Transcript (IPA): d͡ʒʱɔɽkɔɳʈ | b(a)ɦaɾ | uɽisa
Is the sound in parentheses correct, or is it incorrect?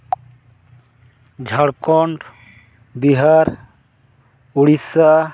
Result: incorrect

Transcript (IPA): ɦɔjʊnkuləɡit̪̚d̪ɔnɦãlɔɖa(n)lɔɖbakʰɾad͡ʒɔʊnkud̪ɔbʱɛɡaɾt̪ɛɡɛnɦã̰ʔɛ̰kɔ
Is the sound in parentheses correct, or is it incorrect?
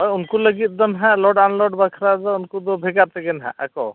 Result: correct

